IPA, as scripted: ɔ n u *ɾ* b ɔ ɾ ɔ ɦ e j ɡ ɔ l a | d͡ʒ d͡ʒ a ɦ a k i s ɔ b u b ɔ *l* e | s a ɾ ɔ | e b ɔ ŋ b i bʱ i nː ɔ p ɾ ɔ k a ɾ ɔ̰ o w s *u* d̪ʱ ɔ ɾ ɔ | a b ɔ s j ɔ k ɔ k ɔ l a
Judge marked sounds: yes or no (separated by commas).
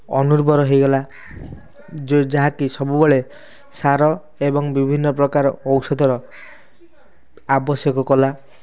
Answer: yes, no, no